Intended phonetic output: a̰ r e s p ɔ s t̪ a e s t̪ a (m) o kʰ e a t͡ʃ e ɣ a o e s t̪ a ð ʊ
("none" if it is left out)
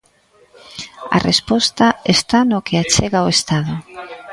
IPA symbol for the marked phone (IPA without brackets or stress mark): n